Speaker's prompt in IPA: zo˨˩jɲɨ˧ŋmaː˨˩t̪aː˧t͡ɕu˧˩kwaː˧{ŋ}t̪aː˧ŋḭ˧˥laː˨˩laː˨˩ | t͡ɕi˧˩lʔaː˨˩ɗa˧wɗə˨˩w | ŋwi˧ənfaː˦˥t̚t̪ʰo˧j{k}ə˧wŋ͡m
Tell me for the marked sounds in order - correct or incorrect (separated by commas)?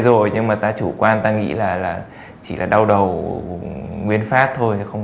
incorrect, incorrect